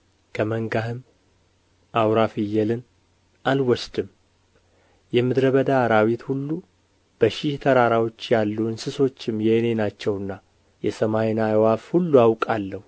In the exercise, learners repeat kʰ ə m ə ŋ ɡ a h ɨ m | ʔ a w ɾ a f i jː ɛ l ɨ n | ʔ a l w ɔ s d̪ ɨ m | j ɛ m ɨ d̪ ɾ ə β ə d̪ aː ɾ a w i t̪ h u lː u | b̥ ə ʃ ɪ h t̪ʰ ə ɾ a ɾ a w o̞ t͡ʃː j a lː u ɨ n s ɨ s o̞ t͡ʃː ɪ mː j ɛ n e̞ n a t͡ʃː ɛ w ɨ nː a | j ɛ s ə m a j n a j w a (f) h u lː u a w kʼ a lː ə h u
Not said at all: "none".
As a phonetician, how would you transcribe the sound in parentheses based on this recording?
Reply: f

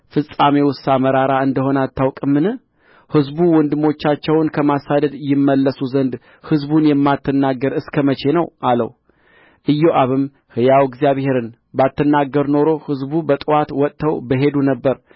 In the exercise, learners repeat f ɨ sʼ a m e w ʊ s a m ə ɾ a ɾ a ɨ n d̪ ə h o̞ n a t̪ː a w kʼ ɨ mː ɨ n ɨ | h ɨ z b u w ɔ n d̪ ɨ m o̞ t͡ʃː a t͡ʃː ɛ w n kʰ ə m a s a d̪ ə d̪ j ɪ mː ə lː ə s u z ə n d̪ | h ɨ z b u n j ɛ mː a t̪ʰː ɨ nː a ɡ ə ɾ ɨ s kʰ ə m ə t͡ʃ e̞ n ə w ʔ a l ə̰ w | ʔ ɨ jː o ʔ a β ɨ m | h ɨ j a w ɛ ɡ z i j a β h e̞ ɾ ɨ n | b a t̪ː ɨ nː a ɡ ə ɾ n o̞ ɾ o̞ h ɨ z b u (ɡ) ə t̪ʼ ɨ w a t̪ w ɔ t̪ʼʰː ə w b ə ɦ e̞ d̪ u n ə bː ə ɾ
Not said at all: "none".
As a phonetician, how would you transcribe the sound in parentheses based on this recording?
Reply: b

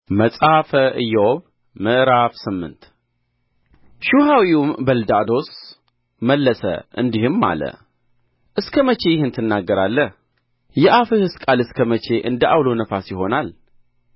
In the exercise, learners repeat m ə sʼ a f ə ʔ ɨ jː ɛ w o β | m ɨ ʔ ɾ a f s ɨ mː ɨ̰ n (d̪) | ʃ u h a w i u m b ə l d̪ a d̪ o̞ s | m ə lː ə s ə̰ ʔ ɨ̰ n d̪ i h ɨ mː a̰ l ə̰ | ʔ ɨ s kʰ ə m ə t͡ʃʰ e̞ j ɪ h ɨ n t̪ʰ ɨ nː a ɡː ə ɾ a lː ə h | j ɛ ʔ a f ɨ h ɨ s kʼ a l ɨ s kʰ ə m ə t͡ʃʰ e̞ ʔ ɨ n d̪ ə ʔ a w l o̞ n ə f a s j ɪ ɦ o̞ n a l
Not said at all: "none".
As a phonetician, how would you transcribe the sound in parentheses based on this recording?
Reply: t̪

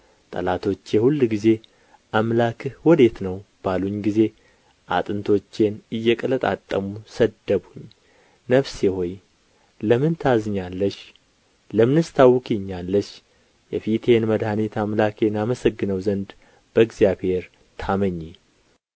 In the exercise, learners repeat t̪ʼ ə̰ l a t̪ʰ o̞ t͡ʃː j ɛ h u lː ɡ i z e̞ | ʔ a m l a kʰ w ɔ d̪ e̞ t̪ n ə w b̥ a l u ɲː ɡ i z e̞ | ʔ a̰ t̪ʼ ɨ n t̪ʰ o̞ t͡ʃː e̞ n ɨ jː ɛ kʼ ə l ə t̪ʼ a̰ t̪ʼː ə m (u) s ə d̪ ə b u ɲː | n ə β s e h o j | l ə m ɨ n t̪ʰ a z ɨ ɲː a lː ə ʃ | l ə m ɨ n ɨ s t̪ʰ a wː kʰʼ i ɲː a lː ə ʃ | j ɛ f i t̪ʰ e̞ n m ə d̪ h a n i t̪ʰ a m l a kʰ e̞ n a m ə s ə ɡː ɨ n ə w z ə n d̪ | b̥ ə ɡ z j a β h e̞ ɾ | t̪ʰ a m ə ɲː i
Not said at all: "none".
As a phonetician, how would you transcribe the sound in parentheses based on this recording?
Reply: u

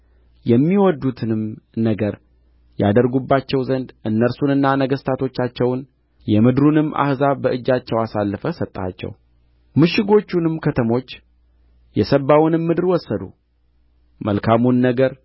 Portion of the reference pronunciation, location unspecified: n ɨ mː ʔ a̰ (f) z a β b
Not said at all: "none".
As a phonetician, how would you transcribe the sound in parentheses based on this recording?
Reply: h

